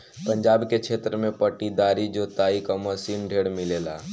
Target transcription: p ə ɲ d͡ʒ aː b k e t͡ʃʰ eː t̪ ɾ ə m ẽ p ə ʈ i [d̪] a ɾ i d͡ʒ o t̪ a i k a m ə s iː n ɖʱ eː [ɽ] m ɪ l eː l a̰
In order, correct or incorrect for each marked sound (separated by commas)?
correct, correct